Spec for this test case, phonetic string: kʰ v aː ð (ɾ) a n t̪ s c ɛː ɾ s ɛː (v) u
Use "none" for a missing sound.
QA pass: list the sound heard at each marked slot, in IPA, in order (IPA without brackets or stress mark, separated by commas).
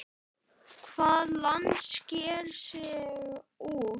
l, ɣ